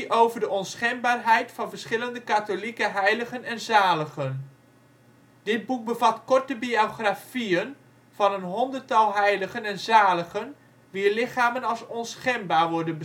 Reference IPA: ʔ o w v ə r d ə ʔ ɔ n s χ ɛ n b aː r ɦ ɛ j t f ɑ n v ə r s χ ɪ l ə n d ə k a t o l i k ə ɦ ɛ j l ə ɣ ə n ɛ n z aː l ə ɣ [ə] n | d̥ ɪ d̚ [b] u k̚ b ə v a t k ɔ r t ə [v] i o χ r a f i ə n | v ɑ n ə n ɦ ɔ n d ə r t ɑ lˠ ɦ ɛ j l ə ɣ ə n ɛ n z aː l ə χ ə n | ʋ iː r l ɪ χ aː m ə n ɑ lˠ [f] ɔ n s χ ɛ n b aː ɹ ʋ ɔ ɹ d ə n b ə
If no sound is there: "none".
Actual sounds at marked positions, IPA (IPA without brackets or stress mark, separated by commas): ə, b, b, s